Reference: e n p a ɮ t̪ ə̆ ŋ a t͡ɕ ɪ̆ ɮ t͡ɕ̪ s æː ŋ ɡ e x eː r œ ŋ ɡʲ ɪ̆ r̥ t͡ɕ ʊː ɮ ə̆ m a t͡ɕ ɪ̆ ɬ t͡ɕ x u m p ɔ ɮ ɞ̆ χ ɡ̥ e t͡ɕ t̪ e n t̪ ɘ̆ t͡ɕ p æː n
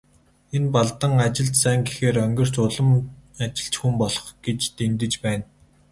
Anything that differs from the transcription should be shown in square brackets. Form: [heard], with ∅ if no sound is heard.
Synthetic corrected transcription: e n p a ɮ t̪ ə̆ ŋ a t͡ɕ ɪ̆ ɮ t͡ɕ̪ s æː ŋ ɡ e x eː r œ ŋ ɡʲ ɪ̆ r̥ t͡ɕ [ʊ] ɮ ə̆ m a t͡ɕ ɪ̆ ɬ t͡ɕ x u m p ɔ ɮ ɞ̆ χ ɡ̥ e t͡ɕ t̪ e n t̪ ɘ̆ t͡ɕ p æː n